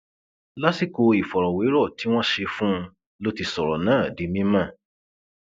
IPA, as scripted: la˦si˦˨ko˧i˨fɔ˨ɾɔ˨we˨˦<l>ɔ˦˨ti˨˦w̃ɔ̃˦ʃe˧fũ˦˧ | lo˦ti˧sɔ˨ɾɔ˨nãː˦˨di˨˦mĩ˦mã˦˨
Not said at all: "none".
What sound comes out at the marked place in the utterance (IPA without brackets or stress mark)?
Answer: ɾ